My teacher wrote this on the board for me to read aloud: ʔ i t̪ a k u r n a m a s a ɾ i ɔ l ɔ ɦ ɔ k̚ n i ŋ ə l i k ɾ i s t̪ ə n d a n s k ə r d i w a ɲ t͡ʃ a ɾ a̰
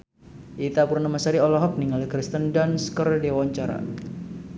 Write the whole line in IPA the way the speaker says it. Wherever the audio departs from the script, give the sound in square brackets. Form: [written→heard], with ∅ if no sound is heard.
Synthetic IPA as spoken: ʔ i t̪ a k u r n a m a s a ɾ i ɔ l ɔ ɦ ɔ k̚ n i ŋ [ə→a] l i k ɾ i s t̪ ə n d a n s k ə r d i w a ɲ t͡ʃ a ɾ a̰